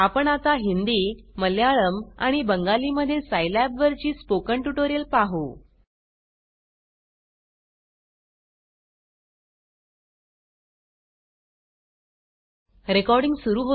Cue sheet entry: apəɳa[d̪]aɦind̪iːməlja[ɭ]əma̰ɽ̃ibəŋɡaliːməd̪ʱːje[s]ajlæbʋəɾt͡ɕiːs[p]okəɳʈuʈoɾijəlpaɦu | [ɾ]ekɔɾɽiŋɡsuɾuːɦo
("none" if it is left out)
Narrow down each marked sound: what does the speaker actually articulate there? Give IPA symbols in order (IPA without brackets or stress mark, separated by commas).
t̪, ɭ, s, p, ɾ